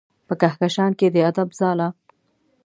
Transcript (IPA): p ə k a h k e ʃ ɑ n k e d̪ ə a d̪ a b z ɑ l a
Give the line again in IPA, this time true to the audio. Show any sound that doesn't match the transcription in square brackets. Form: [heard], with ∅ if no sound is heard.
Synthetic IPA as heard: p ə k a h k [a] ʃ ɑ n k e d̪ ə a d̪ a b z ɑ l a